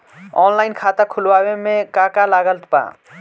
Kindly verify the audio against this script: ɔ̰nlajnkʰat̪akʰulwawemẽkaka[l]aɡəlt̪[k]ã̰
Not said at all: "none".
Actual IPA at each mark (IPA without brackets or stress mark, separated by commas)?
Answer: l, p